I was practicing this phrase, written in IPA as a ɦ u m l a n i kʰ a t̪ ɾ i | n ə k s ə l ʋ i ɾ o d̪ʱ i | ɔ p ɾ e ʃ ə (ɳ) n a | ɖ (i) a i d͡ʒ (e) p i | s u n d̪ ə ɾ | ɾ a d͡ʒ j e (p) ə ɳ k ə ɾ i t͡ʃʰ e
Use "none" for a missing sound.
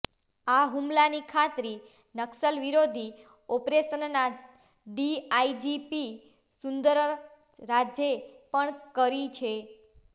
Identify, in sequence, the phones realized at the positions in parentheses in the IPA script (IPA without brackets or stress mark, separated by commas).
n, i, i, p